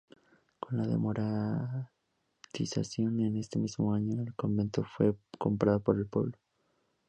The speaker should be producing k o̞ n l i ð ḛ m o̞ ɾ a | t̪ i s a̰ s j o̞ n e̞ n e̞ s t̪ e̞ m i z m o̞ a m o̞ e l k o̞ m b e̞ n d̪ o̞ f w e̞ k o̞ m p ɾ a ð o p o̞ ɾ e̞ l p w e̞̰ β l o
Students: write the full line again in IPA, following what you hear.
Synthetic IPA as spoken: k o̞ n l a ð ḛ m o̞ ɾ a | t̪ i s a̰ s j o̞ n e̞ n e̞ s t̪ e̞ m i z m o̞ a ɲ o̞ e l k o̞ m b e̞ n t̪ o̞ f w e̞ k o̞ m p ɾ a ð o p o̞ ɾ e̞ l p w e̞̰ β l o